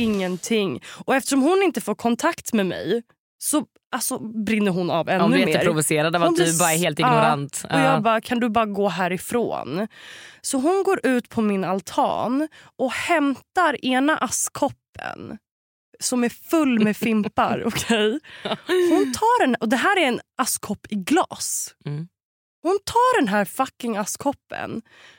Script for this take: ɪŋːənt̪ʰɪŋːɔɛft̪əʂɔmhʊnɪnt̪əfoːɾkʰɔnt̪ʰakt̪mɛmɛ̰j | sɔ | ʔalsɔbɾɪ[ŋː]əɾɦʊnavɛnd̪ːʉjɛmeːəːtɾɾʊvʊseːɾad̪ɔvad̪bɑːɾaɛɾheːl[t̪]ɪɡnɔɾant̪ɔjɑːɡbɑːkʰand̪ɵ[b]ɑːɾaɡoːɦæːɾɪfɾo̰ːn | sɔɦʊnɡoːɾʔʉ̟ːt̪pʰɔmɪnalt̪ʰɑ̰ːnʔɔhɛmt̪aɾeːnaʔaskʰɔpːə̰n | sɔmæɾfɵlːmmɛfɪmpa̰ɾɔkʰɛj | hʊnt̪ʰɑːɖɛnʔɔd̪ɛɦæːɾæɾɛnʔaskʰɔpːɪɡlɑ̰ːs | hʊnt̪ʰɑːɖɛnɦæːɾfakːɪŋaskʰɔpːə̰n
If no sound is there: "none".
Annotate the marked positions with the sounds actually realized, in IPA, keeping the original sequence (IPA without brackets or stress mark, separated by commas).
nː, t̪, b